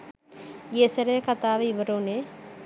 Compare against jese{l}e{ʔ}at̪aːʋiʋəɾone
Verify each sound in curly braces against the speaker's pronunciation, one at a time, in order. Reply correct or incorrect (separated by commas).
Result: incorrect, incorrect